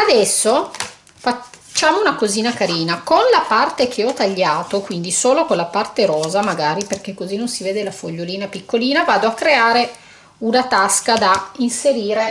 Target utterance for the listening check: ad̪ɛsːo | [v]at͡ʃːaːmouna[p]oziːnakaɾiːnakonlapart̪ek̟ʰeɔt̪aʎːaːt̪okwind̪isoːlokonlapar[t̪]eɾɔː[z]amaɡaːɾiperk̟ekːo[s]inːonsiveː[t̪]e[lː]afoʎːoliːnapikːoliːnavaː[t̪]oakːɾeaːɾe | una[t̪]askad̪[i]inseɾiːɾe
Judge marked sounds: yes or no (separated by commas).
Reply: no, no, yes, yes, no, no, no, no, yes, no